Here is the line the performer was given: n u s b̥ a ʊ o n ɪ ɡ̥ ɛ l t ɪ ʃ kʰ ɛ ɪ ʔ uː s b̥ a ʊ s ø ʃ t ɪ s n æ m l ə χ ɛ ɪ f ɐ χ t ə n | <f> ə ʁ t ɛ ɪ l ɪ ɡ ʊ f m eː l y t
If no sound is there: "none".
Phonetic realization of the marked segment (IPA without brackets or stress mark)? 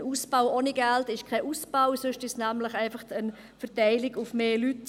f